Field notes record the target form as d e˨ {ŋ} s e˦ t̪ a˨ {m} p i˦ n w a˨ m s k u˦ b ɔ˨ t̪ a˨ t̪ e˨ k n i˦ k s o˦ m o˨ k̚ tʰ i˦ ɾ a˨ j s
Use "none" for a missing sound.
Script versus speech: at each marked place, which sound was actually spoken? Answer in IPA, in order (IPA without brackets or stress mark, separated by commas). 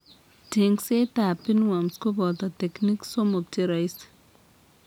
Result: ŋ, none